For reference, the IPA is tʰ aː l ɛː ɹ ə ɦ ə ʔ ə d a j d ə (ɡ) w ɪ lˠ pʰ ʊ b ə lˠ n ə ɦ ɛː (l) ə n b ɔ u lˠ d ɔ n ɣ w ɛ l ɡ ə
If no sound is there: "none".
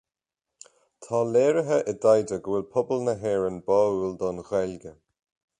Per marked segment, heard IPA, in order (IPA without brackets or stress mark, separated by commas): ɡ, ɹ